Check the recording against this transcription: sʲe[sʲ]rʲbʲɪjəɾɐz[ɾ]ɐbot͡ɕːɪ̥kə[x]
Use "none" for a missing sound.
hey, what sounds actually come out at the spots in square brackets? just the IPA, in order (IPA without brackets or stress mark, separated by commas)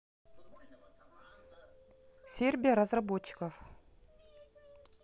none, r, f